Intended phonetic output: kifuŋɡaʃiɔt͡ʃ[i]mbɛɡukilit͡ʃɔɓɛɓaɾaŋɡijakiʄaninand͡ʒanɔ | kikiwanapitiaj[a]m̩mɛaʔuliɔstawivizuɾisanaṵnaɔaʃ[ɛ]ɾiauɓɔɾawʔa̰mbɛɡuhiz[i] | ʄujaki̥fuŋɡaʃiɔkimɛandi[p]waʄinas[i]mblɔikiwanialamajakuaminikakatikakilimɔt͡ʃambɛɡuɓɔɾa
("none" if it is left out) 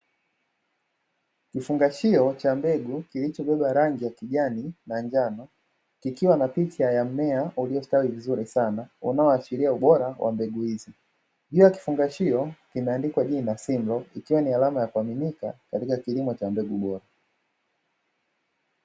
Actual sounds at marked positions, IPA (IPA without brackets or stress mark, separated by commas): a, a, i, i, k, i